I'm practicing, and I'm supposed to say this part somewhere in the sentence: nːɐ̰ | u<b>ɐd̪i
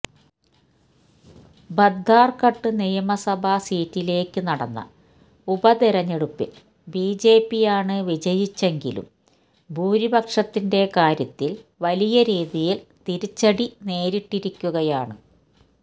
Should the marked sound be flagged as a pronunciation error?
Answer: no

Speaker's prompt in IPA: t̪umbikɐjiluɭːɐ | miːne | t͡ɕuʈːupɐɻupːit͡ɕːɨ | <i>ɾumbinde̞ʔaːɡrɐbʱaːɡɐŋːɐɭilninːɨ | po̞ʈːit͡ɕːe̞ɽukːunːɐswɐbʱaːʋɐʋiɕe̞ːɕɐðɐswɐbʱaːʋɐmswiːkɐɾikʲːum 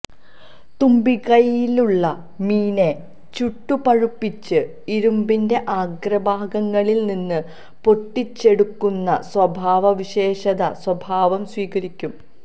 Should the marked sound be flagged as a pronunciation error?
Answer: no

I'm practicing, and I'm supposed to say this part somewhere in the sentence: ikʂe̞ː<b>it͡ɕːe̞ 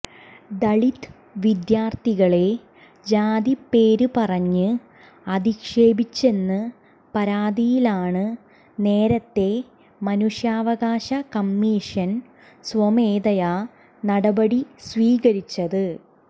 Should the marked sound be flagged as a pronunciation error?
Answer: no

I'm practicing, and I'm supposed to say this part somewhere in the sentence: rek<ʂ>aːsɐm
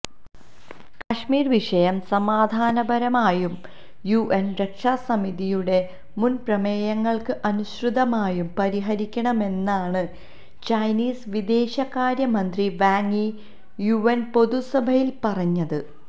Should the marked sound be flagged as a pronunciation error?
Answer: no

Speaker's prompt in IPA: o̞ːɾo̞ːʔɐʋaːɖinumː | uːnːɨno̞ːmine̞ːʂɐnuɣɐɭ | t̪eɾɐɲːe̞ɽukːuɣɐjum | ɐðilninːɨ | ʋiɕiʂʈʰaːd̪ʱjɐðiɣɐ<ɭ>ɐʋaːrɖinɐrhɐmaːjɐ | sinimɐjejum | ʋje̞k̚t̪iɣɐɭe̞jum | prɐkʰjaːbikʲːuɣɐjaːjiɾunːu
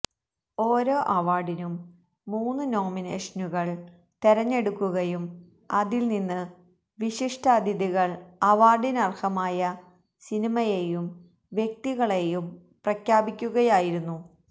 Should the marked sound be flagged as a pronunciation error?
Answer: no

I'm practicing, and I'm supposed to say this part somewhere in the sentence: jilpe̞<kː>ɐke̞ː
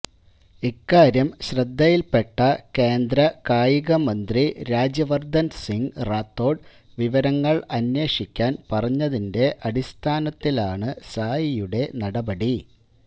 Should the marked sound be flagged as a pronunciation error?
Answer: yes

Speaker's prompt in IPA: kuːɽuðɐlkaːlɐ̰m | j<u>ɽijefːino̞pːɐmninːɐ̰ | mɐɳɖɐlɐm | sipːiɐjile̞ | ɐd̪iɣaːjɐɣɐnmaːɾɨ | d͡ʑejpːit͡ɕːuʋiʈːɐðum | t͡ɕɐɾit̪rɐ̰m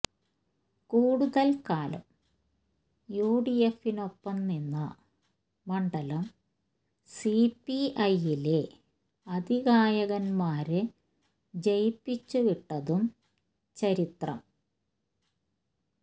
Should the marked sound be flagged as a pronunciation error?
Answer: yes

